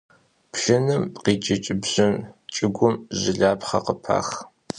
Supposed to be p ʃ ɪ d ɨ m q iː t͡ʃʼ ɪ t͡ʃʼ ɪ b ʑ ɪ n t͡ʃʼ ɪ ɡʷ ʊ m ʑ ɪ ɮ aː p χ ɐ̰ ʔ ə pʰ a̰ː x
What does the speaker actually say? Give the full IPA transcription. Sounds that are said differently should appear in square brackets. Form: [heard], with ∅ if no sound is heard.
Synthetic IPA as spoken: p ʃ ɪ [n] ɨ m q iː t͡ʃʼ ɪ t͡ʃʼ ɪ b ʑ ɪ n t͡ʃʼ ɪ ɡʷ ʊ m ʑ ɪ ɮ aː p χ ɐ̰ [q] ə pʰ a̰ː x

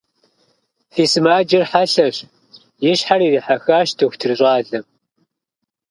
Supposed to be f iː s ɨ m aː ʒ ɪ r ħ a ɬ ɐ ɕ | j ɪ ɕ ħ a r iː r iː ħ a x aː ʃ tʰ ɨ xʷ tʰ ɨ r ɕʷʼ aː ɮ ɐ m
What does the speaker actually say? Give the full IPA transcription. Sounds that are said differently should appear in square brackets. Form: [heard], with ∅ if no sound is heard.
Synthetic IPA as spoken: f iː s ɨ m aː [d͡ʒ] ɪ r ħ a ɬ ɐ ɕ | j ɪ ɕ ħ a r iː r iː ħ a x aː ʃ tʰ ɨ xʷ tʰ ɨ r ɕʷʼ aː ɮ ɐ m

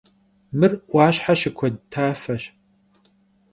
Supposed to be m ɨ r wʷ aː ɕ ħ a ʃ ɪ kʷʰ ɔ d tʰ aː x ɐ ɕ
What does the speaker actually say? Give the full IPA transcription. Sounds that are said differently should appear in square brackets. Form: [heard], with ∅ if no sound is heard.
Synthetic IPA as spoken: m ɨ r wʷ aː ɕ ħ a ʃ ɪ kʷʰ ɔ d tʰ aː [f] ɐ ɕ

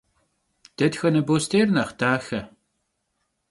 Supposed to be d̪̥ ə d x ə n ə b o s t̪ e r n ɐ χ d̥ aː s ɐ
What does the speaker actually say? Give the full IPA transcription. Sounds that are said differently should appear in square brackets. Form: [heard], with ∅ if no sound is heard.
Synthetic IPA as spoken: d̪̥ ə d x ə n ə b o s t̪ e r n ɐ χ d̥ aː [x] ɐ

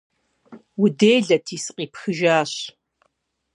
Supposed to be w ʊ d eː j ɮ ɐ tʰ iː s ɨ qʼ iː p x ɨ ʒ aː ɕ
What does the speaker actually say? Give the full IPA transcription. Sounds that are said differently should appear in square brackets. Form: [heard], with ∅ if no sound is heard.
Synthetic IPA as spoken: w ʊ d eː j ɮ ɐ tʰ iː s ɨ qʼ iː p x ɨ ʒ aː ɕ

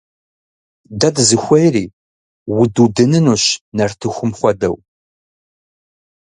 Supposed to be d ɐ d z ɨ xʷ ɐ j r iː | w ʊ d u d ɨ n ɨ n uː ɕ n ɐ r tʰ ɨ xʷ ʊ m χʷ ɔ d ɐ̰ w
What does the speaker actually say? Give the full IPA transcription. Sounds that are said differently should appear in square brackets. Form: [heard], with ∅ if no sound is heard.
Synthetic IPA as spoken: d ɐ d z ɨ xʷ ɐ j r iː | w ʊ d u d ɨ n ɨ n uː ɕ n ɐ r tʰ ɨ xʷ ʊ m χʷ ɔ d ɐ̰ w

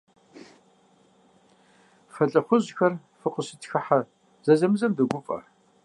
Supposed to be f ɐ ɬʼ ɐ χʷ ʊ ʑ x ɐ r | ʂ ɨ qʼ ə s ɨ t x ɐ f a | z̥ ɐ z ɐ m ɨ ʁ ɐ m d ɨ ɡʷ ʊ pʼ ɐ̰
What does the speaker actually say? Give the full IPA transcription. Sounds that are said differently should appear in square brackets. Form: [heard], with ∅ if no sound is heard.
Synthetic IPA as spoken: f ɐ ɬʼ ɐ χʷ ʊ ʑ x ɐ r | [f] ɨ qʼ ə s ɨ t x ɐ [ħ] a | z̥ ɐ z ɐ m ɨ [z] ɐ m d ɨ ɡʷ ʊ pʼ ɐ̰

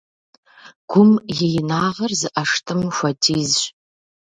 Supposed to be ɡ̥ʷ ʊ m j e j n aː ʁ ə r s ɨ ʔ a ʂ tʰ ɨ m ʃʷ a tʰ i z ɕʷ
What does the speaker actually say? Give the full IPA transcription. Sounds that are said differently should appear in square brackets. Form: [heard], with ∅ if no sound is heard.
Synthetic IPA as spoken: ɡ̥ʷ ʊ m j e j n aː ʁ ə r [z] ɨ ʔ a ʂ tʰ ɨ m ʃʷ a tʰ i z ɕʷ

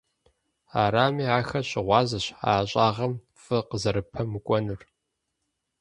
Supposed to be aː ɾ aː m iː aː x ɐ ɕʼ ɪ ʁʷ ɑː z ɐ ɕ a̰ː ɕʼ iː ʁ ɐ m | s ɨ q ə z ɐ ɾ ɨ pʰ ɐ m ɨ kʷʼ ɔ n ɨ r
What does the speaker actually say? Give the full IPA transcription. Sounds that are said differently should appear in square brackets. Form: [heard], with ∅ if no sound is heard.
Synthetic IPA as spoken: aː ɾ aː m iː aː x ɐ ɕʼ ɪ ʁʷ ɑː z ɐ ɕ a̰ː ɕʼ [aː] ʁ ɐ m | [f] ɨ q ə z ɐ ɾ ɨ pʰ ɐ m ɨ kʷʼ ɔ n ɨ r

